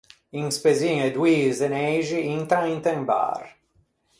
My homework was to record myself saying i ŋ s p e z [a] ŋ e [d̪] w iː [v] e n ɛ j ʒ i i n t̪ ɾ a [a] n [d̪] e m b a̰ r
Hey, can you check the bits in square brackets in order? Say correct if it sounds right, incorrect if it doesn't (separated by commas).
incorrect, correct, incorrect, incorrect, incorrect